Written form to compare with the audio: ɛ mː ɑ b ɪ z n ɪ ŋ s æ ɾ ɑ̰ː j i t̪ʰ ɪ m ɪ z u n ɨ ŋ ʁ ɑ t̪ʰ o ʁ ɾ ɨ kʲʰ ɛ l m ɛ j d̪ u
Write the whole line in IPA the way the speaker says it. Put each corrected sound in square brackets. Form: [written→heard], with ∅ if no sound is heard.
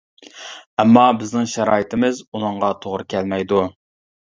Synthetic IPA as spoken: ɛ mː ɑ b ɪ z n ɪ ŋ [s→ʃ] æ ɾ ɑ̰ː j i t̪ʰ ɪ m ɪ z u n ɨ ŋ ʁ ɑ t̪ʰ o ʁ ɾ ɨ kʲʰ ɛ l m ɛ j d̪ u